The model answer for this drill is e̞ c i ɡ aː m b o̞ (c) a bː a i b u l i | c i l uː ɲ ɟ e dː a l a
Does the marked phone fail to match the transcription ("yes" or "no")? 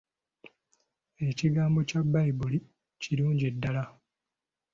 no